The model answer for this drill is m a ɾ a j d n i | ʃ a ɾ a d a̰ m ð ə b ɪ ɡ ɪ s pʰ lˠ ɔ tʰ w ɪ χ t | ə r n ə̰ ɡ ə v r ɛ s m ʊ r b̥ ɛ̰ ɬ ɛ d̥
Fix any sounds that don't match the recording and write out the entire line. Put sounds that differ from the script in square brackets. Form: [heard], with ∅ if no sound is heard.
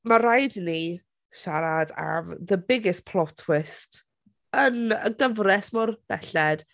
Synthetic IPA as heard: m a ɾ a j d n i | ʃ a ɾ a d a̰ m ð ə b ɪ ɡ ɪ s pʰ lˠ ɔ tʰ w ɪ [s] t | ə [∅] n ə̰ ɡ ə v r ɛ s m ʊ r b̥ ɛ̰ ɬ ɛ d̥